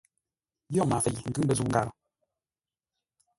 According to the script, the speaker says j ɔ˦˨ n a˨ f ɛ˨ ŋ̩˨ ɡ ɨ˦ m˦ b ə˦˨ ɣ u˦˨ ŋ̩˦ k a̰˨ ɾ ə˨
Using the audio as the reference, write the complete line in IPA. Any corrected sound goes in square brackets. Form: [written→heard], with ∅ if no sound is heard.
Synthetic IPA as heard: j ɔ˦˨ [n→m] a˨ f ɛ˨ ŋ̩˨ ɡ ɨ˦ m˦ b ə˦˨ [ɣ→z] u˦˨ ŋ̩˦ [k→ɡ] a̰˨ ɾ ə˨